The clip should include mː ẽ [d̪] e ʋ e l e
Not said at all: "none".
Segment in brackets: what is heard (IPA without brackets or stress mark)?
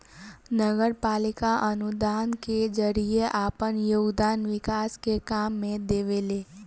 d̪